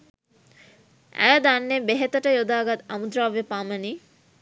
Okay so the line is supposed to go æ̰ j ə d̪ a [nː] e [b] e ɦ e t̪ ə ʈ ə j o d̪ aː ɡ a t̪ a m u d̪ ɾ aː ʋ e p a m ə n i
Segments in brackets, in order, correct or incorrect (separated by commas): correct, correct